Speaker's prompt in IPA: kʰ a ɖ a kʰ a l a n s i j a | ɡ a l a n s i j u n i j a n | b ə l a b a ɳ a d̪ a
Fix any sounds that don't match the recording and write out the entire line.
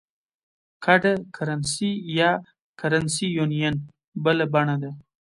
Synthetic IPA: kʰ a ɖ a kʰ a ɾ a n s i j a | k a ɾ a n s i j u n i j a n | b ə l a b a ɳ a d̪ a